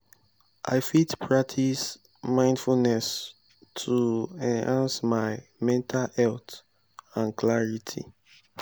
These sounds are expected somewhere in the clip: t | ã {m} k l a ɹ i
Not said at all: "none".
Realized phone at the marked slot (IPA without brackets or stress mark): n